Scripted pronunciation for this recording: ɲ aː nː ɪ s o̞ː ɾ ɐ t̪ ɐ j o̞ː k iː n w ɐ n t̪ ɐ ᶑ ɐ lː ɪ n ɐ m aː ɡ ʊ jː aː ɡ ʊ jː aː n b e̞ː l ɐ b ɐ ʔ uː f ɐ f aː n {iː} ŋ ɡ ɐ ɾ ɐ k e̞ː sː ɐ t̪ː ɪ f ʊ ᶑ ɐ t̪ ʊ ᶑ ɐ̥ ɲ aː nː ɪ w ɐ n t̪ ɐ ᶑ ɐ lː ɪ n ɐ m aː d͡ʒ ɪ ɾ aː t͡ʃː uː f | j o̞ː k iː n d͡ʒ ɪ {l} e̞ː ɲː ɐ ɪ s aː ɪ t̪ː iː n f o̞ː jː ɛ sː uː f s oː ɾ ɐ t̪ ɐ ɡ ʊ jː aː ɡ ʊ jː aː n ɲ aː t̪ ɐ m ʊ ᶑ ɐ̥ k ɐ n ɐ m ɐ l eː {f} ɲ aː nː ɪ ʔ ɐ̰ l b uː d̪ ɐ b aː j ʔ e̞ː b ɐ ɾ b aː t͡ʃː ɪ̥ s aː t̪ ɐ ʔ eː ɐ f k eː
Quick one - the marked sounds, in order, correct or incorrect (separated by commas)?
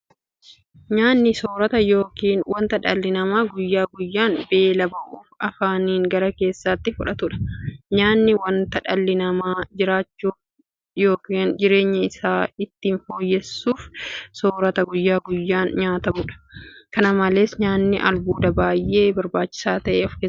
correct, incorrect, incorrect